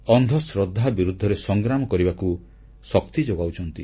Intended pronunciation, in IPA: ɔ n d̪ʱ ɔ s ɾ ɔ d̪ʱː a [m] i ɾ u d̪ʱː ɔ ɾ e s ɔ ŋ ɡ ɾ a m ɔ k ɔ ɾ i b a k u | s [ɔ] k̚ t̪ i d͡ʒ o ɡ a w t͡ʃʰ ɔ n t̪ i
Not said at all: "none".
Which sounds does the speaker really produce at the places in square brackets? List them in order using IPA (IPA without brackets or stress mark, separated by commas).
b, ɔ